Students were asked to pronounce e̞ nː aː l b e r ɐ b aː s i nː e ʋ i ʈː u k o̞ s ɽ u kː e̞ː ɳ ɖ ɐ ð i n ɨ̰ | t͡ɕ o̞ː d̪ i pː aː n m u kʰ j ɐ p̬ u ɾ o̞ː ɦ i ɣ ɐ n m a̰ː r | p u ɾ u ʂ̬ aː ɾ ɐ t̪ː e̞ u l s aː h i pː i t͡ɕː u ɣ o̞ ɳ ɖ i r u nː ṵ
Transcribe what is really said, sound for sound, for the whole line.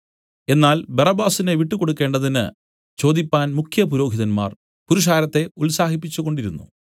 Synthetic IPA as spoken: e̞ nː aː l b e r ɐ b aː s i n e ʋ i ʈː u k o̞ ɽ u kː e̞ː ɳ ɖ ɐ ð i n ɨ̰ | t͡ɕ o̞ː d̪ i pː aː n m u kʰ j ɐ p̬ u ɾ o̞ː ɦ i ð ɐ n m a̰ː r | p u ɾ u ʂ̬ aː ɾ ɐ t̪ː e̞ u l s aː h i pː i t͡ɕː u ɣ o̞ ɳ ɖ i ɾ u nː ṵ

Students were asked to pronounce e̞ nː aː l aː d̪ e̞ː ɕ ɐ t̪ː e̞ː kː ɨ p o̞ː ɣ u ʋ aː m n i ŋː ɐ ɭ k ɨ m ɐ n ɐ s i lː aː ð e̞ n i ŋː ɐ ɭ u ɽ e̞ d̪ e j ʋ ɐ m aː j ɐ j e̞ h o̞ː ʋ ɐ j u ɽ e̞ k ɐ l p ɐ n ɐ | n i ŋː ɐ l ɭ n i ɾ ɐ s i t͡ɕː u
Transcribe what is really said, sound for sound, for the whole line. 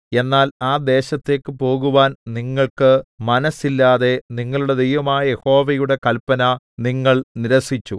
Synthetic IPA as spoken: e̞ nː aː l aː d̪ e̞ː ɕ ɐ t̪ː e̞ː kː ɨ p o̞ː ɣ u ʋ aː n n i ŋː ɐ ɭ k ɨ m ɐ n ɐ s i lː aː ð e̞ n i ŋː ɐ ɭ u ɽ e̞ d̪ e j ʋ ɐ m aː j ɐ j e̞ h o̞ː ʋ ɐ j u ɽ e̞ k ɐ l p ɐ n ɐ | n i ŋː ɐ ɭ n i ɾ ɐ s i t͡ɕː u

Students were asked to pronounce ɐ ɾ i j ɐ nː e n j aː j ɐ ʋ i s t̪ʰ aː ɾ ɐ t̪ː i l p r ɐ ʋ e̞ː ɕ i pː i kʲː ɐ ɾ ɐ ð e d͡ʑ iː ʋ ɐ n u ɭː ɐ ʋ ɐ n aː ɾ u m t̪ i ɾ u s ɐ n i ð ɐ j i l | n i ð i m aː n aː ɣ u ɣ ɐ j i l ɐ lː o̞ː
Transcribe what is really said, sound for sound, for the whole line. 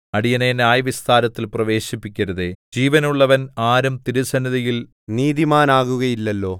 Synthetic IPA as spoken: ɐ ɽ i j ɐ n e n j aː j ɐ ʋ i s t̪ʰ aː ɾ ɐ t̪ː i l p r ɐ ʋ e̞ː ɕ i pː i kʲː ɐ ɾ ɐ ð e d͡ʑ iː ʋ ɐ n u ɭː ɐ ʋ ɐ n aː ɾ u m t̪ i ɾ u s ɐ n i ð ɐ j i l | n iː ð i m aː n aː ɣ u ɣ ɐ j i lː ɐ lː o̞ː

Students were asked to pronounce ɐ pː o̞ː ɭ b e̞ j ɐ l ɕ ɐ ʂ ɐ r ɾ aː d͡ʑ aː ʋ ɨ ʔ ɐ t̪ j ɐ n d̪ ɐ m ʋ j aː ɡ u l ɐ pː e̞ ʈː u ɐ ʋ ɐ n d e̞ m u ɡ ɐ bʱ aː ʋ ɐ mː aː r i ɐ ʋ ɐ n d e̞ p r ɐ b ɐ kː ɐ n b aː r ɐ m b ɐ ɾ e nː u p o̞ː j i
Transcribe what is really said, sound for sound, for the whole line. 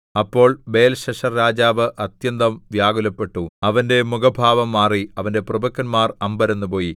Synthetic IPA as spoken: ɐ pː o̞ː ɭ b e̞ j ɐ l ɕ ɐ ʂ ɐ r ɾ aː d͡ʑ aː ʋ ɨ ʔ ɐ t̪ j ɐ n d̪ ɐ m ʋ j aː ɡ u l ɐ pː e̞ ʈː u ɐ ʋ ɐ n d e̞ m u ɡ ɐ bʱ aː ʋ ɐ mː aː r i ɐ ʋ ɐ n d e̞ p r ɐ b ɐ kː ɐ n m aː r ɐ m b ɐ ɾ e nː u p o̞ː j i

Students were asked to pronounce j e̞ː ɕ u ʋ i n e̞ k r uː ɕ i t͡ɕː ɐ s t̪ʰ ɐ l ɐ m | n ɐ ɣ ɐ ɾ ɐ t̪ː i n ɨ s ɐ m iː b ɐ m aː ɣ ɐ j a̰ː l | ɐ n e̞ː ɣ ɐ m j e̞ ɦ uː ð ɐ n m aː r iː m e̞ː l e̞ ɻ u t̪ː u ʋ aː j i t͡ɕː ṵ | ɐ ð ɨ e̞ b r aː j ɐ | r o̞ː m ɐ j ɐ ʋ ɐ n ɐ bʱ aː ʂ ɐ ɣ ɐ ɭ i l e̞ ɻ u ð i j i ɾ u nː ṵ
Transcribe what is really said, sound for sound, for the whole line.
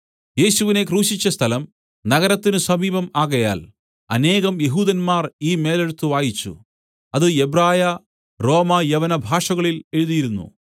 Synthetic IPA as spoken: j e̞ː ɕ u ʋ i n e̞ k r uː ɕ i t͡ɕː ɐ s t̪ʰ ɐ l ɐ m | n ɐ ɣ ɐ ɾ ɐ t̪ː i n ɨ s ɐ m iː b ɐ m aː ɣ ɐ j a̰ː l | ɐ n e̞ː ɣ ɐ m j e̞ ɦ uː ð ɐ n m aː r iː m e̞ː l e̞ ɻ u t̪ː u ʋ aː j i t͡ɕː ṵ | ɐ ð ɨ e̞ b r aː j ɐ | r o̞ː m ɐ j ɐ ʋ ɐ n ɐ bʱ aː ʂ ɐ ɣ ɐ ɭ i l e̞ ɻ u ð i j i ɾ u nː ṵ

